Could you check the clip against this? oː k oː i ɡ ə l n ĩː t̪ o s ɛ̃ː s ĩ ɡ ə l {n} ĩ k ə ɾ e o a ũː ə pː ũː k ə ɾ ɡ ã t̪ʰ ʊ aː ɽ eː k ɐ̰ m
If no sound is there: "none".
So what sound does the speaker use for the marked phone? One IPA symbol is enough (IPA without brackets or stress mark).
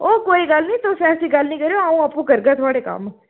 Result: n